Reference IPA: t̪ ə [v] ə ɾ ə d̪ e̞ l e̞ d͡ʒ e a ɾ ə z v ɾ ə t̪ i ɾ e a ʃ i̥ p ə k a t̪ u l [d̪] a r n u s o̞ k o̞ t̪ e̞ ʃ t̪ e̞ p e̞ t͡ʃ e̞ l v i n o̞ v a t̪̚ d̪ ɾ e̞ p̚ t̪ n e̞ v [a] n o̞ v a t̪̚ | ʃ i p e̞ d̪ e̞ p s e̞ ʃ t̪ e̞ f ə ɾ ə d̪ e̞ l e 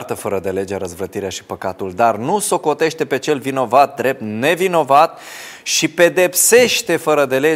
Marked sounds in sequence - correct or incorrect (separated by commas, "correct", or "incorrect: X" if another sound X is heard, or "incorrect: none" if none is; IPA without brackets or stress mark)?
incorrect: f, correct, incorrect: i